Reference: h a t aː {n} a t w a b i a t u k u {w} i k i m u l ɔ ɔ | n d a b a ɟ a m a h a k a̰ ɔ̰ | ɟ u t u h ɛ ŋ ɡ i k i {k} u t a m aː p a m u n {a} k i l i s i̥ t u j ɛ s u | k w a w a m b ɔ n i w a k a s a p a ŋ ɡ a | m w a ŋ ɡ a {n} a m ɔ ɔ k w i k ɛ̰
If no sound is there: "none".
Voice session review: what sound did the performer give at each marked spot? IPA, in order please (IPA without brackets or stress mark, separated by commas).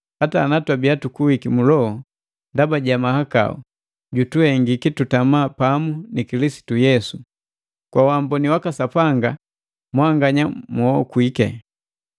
n, w, t, i, ɲ